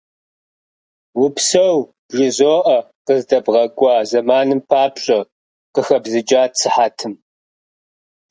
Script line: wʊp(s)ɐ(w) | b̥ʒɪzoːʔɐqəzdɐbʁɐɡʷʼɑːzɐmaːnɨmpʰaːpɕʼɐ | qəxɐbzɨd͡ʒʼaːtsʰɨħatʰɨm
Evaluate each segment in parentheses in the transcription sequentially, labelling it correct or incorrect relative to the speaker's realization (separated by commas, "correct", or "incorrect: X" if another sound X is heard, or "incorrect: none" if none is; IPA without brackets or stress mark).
correct, correct